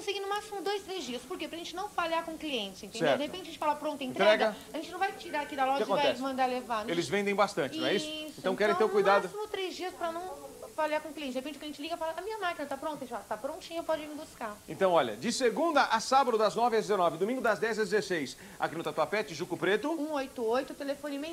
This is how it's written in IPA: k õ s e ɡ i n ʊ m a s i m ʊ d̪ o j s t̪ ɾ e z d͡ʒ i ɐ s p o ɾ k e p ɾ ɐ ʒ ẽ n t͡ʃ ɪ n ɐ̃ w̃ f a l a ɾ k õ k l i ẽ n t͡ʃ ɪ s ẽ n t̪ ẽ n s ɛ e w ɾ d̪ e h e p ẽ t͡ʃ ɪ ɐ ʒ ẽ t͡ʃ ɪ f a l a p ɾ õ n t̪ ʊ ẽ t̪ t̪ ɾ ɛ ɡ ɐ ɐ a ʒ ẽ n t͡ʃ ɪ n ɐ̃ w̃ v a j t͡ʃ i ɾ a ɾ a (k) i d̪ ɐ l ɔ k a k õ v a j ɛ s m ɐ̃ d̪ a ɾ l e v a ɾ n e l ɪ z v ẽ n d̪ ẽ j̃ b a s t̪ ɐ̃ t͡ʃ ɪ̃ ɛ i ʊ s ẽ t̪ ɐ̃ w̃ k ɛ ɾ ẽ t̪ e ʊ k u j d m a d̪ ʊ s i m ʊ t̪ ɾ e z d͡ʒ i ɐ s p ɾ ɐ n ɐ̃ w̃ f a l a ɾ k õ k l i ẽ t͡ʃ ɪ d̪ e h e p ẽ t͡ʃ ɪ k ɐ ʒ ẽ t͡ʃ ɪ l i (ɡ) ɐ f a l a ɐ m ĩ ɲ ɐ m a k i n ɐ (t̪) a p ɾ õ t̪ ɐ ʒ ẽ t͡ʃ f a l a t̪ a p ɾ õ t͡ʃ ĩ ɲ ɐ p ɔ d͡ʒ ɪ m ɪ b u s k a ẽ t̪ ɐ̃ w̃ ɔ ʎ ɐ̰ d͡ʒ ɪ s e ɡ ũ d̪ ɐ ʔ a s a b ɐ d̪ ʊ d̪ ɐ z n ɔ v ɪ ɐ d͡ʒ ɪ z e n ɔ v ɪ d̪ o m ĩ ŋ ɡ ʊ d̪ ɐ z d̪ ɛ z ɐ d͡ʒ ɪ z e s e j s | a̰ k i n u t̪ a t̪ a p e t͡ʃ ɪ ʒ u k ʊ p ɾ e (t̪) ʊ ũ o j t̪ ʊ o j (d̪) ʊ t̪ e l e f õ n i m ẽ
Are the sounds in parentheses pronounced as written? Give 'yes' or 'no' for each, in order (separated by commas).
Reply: yes, yes, yes, yes, no